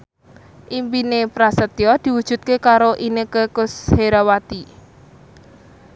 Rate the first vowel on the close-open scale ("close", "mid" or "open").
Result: close